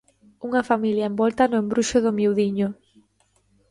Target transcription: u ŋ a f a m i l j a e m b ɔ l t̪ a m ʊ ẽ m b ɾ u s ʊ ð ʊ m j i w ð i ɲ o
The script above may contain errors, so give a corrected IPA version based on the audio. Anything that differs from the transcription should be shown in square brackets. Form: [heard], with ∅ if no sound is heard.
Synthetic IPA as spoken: u ŋ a f a m i l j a e m b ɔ l t̪ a [n] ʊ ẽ m b ɾ u [ʃ] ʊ ð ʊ m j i w ð i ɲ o